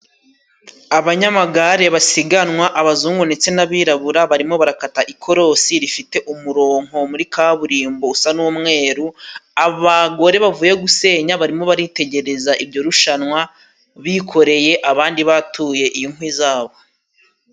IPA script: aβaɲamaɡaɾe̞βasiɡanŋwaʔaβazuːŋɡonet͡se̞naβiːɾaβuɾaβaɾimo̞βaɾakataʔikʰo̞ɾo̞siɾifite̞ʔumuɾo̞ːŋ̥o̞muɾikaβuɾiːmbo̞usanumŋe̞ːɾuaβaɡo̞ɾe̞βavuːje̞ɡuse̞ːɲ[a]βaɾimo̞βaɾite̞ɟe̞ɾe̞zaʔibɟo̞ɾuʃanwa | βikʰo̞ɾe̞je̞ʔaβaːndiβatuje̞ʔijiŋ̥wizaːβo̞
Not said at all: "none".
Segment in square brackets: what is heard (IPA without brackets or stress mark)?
a